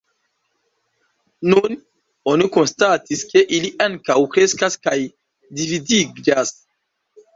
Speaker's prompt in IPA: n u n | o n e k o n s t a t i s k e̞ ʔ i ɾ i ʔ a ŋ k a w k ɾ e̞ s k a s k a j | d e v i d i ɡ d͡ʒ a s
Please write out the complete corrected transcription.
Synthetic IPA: n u n | o n i k o n s t a t i s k e̞ ʔ i l i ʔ a ŋ k a w k ɾ e̞ s k a s k a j | d i v i d i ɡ d͡ʒ a s